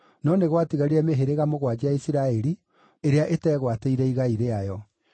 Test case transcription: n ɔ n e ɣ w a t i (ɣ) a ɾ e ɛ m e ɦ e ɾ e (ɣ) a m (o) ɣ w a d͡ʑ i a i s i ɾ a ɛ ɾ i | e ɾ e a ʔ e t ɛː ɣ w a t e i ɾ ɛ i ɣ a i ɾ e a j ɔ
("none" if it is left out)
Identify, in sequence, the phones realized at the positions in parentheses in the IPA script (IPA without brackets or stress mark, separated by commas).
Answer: ɣ, ɣ, o